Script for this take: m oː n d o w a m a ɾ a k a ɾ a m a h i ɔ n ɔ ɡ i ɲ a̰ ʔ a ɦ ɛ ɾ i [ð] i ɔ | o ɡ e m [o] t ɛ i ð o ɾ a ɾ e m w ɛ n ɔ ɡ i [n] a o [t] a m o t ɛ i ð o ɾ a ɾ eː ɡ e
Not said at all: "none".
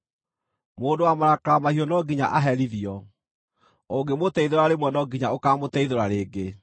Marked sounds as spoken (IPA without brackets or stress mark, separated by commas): ð, o, ɲ, k